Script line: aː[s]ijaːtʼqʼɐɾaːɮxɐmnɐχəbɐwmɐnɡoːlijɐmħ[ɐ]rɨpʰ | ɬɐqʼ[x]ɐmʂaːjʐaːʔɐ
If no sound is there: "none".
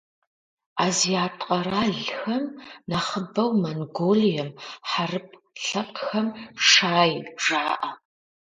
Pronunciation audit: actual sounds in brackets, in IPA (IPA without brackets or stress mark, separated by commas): z, a, x